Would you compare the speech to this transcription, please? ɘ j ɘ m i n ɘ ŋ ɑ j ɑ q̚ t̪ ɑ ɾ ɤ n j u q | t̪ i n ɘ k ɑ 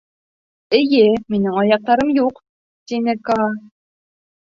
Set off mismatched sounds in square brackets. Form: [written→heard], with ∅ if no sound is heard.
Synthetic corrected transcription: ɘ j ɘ m i n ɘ ŋ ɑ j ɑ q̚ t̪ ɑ ɾ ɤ [n→m] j u q | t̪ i n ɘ k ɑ

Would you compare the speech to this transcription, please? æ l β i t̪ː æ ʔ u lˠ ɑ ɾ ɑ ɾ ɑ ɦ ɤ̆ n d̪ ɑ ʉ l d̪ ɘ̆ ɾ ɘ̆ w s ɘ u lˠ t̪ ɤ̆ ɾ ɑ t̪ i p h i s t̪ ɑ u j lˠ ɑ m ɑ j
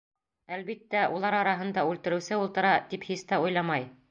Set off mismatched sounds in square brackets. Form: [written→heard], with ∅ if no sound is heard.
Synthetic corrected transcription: æ l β i t̪ː æ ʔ u lˠ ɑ ɾ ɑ ɾ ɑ ɦ ɤ̆ n d̪ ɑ ʉ l [d̪→t̪] ɘ̆ ɾ ɘ̆ w s ɘ u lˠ t̪ ɤ̆ ɾ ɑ t̪ i p h i s t̪ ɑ u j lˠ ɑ m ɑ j

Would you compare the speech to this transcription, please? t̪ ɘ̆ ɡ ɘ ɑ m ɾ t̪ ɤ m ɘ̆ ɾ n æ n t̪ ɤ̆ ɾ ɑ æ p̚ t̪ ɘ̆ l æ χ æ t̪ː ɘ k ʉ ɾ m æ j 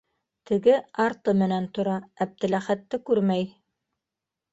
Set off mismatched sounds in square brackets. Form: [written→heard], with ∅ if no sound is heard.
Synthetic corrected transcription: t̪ ɘ̆ ɡ ɘ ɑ [m→∅] ɾ t̪ ɤ m ɘ̆ [ɾ→∅] n æ n t̪ [ɤ̆→ŏ] ɾ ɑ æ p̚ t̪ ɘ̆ l æ χ æ t̪ː ɘ k ʉ ɾ m æ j

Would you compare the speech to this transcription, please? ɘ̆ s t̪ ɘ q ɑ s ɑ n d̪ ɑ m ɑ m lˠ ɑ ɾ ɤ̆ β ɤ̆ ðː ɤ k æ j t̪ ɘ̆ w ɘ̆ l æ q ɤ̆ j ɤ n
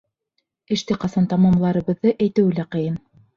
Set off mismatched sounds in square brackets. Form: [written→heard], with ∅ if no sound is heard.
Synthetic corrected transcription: ɘ̆ [s→ʃ] t̪ ɘ q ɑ s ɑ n [d̪→t̪] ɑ m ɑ m lˠ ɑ ɾ ɤ̆ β ɤ̆ ðː ɤ [k→ʔ] æ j t̪ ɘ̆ w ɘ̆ l æ q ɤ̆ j ɤ n

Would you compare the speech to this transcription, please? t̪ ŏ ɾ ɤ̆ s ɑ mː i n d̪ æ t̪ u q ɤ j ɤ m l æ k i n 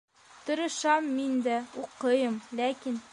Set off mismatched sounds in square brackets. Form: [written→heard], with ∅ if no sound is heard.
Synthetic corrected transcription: t̪ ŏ ɾ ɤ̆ [s→ʃ] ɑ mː i n d̪ æ [t̪→∅] u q ɤ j ɤ m l æ k i n

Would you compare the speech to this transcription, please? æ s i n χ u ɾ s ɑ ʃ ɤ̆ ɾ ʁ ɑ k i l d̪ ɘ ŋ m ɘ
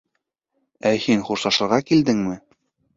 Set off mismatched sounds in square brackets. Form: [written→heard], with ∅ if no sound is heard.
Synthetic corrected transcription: æ [s→h] i n χ u ɾ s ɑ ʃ ɤ̆ ɾ ʁ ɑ k i l d̪ ɘ ŋ m ɘ

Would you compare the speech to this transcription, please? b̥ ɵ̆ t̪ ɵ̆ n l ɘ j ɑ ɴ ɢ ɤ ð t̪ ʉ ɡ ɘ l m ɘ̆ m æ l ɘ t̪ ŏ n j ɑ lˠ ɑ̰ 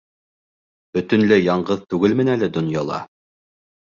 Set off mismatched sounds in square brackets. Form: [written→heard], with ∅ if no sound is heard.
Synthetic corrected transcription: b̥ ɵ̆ t̪ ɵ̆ n l ɘ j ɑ ɴ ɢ ɤ ð t̪ ʉ ɡ ɘ l m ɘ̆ [m→n] æ l ɘ [t̪→d̪] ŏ n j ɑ lˠ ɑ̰

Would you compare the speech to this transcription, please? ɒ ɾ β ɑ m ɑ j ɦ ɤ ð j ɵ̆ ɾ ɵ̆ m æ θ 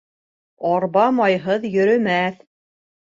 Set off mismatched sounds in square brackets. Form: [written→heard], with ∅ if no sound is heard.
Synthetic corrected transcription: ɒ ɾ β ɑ m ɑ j ɦ ɤ ð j ɵ̆ ɾ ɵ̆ m æ θ

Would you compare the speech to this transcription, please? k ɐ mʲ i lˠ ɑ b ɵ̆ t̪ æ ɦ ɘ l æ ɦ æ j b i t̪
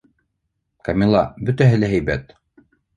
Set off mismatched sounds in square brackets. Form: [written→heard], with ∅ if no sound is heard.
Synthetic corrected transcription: k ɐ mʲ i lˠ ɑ b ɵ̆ t̪ æ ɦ ɘ l æ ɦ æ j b [i→æ] t̪

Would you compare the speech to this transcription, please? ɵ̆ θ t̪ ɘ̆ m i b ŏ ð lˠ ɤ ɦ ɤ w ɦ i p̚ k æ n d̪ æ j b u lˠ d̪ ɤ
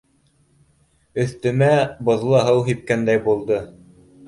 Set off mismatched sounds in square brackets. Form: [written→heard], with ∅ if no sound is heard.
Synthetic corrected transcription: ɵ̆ θ t̪ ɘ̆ m [i→æ] b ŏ ð lˠ ɤ ɦ ɤ w ɦ i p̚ k æ n d̪ æ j b u lˠ d̪ ɤ

